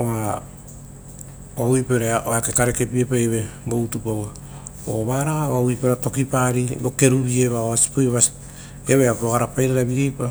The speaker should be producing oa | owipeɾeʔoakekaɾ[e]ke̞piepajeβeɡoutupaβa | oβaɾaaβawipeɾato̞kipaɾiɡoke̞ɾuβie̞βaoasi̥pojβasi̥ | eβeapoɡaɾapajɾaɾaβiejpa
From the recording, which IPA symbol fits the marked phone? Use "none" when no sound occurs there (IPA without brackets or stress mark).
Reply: e